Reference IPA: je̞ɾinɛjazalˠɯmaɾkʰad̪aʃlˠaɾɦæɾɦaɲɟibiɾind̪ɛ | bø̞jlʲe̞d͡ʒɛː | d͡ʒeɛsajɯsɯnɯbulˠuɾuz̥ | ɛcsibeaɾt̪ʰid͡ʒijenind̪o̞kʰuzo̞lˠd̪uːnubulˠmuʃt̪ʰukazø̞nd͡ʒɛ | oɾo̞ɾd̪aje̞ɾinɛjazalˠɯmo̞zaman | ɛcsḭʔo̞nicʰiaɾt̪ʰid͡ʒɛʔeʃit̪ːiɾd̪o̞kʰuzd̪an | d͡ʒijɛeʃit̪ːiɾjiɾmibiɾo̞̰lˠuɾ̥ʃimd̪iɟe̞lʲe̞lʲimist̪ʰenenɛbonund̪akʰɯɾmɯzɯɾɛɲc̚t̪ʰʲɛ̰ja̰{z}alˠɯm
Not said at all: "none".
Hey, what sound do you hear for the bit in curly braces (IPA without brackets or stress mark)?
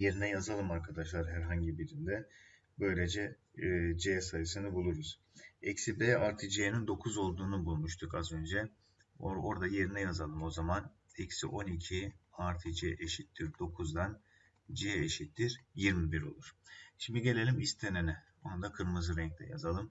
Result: z